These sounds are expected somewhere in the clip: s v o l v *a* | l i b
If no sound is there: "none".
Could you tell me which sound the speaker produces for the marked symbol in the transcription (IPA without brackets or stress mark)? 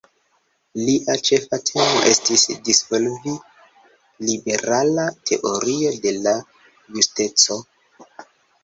i